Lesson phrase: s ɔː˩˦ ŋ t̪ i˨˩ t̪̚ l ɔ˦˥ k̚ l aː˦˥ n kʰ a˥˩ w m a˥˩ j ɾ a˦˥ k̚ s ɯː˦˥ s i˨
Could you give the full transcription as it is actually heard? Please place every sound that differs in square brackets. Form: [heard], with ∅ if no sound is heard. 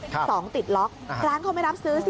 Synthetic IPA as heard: s ɔː˩˦ ŋ t̪ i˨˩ t̪̚ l ɔ˦˥ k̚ [ɾ] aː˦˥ n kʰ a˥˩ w m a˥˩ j ɾ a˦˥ [p̚] s ɯː˦˥ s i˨